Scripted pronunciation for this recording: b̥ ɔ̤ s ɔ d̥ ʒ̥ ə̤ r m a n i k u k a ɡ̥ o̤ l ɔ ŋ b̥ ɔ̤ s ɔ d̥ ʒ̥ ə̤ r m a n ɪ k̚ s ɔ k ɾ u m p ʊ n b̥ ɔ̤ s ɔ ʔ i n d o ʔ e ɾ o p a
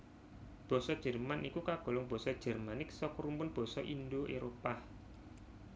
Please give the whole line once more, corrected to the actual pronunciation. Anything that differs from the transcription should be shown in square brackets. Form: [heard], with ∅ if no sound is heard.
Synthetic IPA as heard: b̥ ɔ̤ s ɔ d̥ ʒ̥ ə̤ r m a n i k u k a ɡ̥ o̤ l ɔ ŋ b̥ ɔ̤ s ɔ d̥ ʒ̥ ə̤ r m a n ɪ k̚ s ɔ k ɾ u m p ʊ n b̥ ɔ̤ s ɔ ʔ i n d o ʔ e ɾ o p a